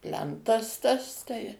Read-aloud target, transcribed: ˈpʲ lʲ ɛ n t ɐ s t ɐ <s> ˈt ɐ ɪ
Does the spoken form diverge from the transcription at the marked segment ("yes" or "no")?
no